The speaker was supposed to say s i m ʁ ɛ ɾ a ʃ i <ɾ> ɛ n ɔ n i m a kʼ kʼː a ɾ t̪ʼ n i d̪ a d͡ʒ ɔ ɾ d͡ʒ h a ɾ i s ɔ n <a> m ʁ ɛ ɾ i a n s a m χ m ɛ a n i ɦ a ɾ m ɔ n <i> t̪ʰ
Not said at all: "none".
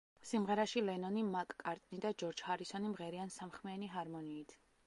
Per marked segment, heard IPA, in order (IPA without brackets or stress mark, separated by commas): l, i, iː